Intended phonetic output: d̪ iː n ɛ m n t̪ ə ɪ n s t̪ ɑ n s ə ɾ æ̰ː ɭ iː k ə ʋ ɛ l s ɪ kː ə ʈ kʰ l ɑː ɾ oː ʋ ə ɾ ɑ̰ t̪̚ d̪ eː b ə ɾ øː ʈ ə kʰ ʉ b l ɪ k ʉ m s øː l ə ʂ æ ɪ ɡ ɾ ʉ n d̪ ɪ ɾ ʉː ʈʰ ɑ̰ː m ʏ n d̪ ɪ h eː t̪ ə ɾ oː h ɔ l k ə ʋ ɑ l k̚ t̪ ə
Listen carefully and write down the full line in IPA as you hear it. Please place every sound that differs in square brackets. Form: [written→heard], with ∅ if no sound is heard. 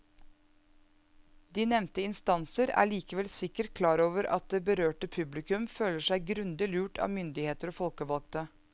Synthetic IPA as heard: d̪ iː n ɛ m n t̪ ə ɪ n s t̪ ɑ n s ə ɾ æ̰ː ɭ iː k ə ʋ ɛ l s ɪ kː ə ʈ kʰ l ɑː ɾ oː ʋ ə ɾ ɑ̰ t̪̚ d̪ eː b ə ɾ øː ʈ ə [kʰ→pʰ] ʉ b l ɪ k ʉ m [s→f] øː l ə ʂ æ ɪ ɡ ɾ ʉ n d̪ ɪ [ɾ→l] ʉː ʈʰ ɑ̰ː m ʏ n d̪ ɪ h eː t̪ ə ɾ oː [h→f] ɔ l k ə ʋ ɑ l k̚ t̪ ə

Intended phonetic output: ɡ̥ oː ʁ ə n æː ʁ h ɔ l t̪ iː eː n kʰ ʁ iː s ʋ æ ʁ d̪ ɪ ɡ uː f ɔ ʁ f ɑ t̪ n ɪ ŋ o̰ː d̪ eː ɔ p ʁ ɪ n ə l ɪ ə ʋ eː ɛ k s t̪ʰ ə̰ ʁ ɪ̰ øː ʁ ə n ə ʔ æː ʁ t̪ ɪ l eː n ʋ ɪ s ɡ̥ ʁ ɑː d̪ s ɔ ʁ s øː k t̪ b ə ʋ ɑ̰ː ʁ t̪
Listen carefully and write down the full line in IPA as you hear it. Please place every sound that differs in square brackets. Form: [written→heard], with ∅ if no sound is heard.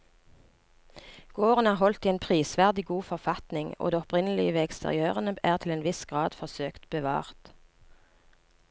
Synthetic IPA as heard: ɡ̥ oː ʁ ə n æː ʁ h ɔ l t̪ iː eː n [kʰ→pʰ] ʁ iː s ʋ æ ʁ d̪ ɪ ɡ uː f ɔ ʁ f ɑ t̪ n ɪ ŋ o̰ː d̪ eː ɔ p ʁ ɪ n ə l ɪ ə ʋ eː ɛ k s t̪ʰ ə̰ ʁ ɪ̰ øː ʁ ə n ə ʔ æː ʁ [t̪→t̪ʰ] ɪ l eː n ʋ ɪ s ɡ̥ ʁ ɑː d̪ [s→f] ɔ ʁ s øː k t̪ b ə ʋ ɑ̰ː ʁ t̪

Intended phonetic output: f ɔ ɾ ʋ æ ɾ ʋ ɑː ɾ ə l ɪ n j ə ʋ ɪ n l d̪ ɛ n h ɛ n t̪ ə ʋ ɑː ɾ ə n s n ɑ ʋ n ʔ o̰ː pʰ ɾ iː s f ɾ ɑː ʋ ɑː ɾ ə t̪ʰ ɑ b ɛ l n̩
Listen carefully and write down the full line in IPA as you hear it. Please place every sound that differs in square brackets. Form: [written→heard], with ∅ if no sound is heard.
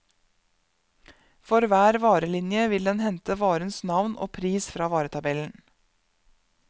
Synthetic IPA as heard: f ɔ ɾ ʋ [æ→æː] ɾ ʋ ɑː ɾ ə l ɪ n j ə ʋ ɪ [n→∅] l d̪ ɛ n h ɛ n t̪ ə ʋ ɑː ɾ ə n s n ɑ ʋ n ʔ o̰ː pʰ ɾ iː s f ɾ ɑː ʋ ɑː ɾ ə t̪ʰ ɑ b ɛ l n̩

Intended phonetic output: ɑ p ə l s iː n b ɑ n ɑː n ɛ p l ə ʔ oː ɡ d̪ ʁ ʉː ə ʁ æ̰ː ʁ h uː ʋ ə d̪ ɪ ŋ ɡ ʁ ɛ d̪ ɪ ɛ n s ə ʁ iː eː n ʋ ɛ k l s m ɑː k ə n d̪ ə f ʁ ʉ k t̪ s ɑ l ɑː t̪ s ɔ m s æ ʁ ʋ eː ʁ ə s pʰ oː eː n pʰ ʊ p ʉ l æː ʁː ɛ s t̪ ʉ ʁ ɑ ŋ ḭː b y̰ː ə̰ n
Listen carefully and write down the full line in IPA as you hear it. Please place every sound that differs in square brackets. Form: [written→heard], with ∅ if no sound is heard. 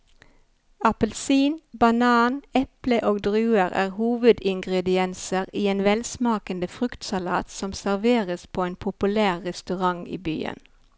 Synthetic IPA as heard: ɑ p ə l s iː n b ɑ n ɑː n ɛ p l ə ʔ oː ɡ d̪ ʁ ʉː ə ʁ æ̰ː ʁ h uː ʋ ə d̪ ɪ ŋ ɡ ʁ ɛ d̪ ɪ ɛ n s ə ʁ iː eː n ʋ ɛ [k→∅] l s m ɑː k ə n d̪ ə f ʁ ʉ k t̪ s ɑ l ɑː t̪ s ɔ m s æ ʁ ʋ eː ʁ ə s pʰ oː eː n pʰ ʊ p ʉ l æː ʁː ɛ s t̪ ʉ ʁ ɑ ŋ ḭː b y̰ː ə̰ n

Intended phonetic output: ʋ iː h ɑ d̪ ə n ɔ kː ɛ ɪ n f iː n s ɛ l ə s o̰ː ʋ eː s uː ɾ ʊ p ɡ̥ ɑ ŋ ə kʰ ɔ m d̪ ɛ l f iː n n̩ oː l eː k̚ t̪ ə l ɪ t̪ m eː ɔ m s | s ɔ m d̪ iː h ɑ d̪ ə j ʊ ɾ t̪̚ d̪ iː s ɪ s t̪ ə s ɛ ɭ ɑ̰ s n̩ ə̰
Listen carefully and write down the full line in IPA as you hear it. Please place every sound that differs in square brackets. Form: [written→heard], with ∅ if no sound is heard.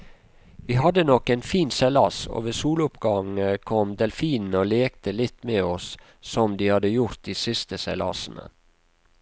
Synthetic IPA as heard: ʋ iː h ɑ d̪ ə n ɔ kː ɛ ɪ n f iː n s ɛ l [ə→ɑ] s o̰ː ʋ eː s uː [ɾ→l] ʊ p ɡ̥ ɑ ŋ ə kʰ ɔ m d̪ ɛ l f iː n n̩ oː l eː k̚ t̪ ə l ɪ t̪ m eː ɔ [m→∅] s | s ɔ m d̪ iː h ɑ d̪ ə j ʊ ɾ t̪̚ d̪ iː s ɪ s t̪ ə s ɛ [ɭ→l] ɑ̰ s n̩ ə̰

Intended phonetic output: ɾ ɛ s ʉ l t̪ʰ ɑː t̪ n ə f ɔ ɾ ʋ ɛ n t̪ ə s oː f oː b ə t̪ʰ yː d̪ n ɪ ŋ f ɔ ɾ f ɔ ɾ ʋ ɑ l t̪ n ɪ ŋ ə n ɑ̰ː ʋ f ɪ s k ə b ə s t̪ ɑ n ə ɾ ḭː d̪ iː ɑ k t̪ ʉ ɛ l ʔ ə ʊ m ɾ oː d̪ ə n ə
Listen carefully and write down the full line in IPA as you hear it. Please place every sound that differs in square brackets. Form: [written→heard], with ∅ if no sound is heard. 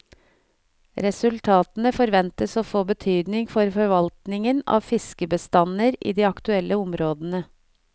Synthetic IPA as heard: ɾ ɛ s ʉ l t̪ʰ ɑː t̪ n ə f ɔ ɾ ʋ ɛ n t̪ ə s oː f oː b ə t̪ʰ yː d̪ n ɪ ŋ f ɔ ɾ f ɔ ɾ ʋ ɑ l t̪ n ɪ ŋ ə n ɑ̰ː ʋ f ɪ s k ə b ə s t̪ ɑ n ə ɾ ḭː d̪ iː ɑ k t̪ ʉ ɛ l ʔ ə ʊ m ɾ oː d̪ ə n ə

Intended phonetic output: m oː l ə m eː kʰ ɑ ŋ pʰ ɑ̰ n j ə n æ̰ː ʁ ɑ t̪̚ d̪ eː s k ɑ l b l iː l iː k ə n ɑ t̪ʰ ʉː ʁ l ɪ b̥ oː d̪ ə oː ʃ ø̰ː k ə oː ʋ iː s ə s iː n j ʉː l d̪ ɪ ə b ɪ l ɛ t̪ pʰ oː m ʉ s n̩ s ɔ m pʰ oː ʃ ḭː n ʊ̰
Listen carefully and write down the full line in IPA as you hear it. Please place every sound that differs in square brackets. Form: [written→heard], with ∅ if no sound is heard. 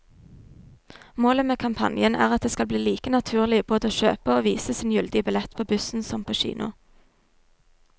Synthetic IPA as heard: m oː l ə m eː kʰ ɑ [ŋ→m] pʰ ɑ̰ n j ə n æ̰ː ʁ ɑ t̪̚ d̪ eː s k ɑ l b l iː l iː k ə n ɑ t̪ʰ ʉː ʁ l ɪ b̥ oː d̪ ə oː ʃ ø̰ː [k→p] ə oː ʋ iː s ə s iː n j [ʉː→ʉ] l d̪ ɪ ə b ɪ l ɛ t̪ pʰ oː [m→b] ʉ s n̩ s ɔ m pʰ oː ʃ ḭː n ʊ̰

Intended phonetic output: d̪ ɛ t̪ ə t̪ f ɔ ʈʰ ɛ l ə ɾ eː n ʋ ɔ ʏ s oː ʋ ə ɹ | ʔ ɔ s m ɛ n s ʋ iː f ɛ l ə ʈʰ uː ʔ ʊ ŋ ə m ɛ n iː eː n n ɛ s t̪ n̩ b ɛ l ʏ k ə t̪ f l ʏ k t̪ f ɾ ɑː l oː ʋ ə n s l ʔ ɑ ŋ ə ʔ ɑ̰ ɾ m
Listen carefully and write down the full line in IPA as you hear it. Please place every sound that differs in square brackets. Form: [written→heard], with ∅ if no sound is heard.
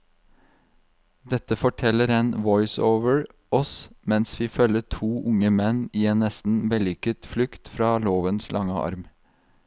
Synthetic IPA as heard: d̪ ɛ t̪ ə [t̪→∅] f ɔ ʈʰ ɛ l ə ɾ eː n ʋ ɔ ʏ s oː ʋ ə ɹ | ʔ ɔ s m ɛ n s ʋ iː f [ɛ→œ] l ə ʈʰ uː ʔ ʊ ŋ ə m ɛ n iː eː n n ɛ s t̪ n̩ b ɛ l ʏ k ə t̪ f l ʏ k t̪ f ɾ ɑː l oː ʋ ə n s l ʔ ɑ ŋ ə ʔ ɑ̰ ɾ m

